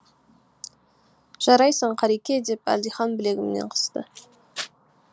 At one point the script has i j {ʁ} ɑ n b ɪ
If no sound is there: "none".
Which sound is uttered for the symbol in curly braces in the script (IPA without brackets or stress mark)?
χ